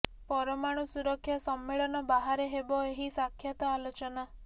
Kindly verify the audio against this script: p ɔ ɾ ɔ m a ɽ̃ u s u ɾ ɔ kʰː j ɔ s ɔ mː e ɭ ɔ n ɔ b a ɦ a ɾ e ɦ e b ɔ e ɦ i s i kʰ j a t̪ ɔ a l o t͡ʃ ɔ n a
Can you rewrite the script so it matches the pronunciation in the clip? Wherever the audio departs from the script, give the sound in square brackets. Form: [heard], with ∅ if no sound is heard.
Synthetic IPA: p ɔ ɾ ɔ m a ɽ̃ u s u ɾ ɔ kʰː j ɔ s ɔ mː e ɭ ɔ n ɔ b a ɦ a ɾ e ɦ e b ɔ e ɦ i s [a] kʰ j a t̪ ɔ a l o t͡ʃ ɔ n a

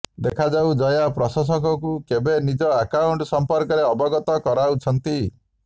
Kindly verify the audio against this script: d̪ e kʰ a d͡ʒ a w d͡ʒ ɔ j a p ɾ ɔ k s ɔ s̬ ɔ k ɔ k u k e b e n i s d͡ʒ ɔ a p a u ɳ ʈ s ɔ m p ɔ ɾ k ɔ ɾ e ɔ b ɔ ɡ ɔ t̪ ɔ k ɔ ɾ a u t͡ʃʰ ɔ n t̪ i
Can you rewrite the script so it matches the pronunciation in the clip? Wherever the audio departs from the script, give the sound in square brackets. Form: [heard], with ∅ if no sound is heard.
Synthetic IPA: d̪ e kʰ a d͡ʒ a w d͡ʒ ɔ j a p ɾ ɔ [∅] s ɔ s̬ ɔ k ɔ k u k e b e n i [∅] d͡ʒ ɔ a [k] a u ɳ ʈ s ɔ m p ɔ ɾ k ɔ ɾ e ɔ b ɔ ɡ ɔ t̪ ɔ k ɔ ɾ a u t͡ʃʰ ɔ n t̪ i

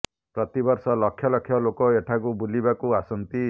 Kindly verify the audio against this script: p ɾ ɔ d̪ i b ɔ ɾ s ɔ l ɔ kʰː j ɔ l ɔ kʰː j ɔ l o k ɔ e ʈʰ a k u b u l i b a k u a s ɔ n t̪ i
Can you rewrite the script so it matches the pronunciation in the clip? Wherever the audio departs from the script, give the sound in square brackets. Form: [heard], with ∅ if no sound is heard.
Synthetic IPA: p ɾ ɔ [t̪] i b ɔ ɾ s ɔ l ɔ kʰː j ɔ l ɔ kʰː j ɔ l o k ɔ e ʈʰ a k u b u l i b a k u a s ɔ n t̪ i

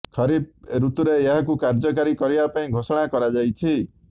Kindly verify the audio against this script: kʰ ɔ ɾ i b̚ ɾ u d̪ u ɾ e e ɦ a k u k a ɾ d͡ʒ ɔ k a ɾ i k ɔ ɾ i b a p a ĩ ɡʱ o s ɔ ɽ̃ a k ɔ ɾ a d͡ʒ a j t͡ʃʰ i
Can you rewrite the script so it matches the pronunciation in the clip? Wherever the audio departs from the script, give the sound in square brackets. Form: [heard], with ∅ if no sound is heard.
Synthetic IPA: kʰ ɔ ɾ i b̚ ɾ u [t̪] u ɾ e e ɦ a k u k a ɾ d͡ʒ ɔ k a ɾ i k ɔ ɾ i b a p a ĩ ɡʱ o s ɔ ɽ̃ a k ɔ ɾ a d͡ʒ a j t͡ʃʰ i

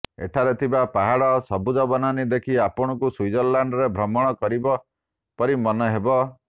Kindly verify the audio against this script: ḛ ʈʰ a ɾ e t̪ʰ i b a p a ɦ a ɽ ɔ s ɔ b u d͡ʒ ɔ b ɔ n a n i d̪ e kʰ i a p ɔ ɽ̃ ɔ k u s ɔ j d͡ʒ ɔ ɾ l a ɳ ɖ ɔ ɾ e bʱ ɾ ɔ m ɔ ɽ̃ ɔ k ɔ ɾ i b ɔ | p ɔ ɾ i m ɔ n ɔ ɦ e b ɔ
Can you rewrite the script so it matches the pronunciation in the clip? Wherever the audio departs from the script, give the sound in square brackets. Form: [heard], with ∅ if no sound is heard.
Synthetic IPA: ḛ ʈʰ a ɾ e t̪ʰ i b a p a ɦ a ɽ ɔ s ɔ b u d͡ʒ ɔ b ɔ n a n i d̪ e kʰ i a p ɔ ɽ̃ ɔ k u s [u] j d͡ʒ ɔ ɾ l a ɳ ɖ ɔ ɾ e bʱ ɾ ɔ m ɔ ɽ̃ ɔ k ɔ ɾ i b ɔ | p ɔ ɾ i m ɔ n ɔ ɦ e b ɔ

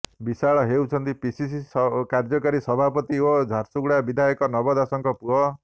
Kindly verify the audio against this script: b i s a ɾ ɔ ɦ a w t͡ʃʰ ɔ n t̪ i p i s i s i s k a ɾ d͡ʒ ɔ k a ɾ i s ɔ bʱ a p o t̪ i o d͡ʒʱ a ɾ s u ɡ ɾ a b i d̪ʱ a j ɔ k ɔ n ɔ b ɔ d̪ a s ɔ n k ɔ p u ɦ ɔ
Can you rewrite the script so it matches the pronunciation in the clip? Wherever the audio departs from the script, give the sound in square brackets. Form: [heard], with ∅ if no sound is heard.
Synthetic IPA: b i s a [ɭ] ɔ ɦ [e] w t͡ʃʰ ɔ n t̪ i p i s i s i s k a ɾ d͡ʒ ɔ k a ɾ i s ɔ bʱ a p [ɔ] t̪ i o d͡ʒʱ a ɾ s u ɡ [ɽ] a b i d̪ʱ a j ɔ k ɔ n ɔ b ɔ d̪ a s ɔ [ŋ] k ɔ p u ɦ ɔ

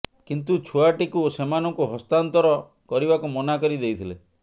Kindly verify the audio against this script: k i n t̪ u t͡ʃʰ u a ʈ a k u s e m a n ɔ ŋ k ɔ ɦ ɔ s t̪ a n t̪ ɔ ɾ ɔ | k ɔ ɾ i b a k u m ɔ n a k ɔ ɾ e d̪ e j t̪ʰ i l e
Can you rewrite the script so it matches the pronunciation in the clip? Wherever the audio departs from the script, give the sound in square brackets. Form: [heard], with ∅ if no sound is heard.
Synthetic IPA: k i n t̪ u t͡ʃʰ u a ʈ [i] k u s e m a n ɔ ŋ k [u] ɦ ɔ s t̪ a n t̪ ɔ ɾ ɔ | k ɔ ɾ i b a k u m ɔ n a k ɔ ɾ [i] d̪ e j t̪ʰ i l e

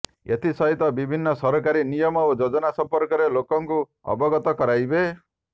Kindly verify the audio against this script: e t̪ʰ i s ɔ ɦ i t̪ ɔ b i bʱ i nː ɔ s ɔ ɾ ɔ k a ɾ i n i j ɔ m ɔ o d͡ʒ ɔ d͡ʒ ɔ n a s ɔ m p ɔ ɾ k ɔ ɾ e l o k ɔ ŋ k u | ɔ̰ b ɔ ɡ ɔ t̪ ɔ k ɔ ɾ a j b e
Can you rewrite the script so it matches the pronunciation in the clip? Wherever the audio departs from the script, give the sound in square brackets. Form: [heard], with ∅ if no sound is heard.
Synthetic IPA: e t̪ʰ i s ɔ ɦ i t̪ ɔ b i bʱ i nː ɔ s ɔ ɾ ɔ k a ɾ i n i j ɔ m ɔ o d͡ʒ [o] d͡ʒ ɔ n a s ɔ m p ɔ ɾ k ɔ ɾ e l o k ɔ ŋ k u | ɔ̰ b ɔ ɡ ɔ t̪ ɔ k ɔ ɾ a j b e

